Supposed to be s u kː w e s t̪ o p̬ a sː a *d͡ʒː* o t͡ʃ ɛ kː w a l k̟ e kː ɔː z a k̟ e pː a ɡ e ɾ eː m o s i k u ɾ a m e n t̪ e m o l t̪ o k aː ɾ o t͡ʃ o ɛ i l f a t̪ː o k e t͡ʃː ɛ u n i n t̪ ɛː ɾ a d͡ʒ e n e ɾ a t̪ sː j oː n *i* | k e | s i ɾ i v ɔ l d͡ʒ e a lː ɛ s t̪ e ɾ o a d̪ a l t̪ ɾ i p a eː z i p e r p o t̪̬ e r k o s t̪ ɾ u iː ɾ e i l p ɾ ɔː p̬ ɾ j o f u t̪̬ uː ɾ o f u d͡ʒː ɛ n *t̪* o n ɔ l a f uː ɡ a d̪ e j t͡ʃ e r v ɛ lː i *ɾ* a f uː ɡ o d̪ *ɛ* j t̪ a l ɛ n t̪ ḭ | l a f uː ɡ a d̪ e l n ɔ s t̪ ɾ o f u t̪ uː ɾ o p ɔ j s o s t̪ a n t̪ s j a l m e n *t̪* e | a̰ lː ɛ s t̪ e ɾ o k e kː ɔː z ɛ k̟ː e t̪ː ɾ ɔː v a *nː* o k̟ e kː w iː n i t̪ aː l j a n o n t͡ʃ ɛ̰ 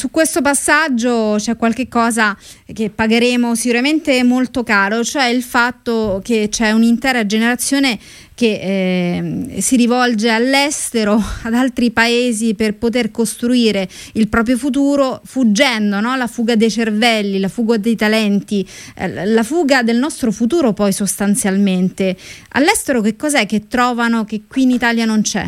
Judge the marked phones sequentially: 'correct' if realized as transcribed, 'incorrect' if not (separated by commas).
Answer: correct, incorrect, incorrect, incorrect, incorrect, correct, incorrect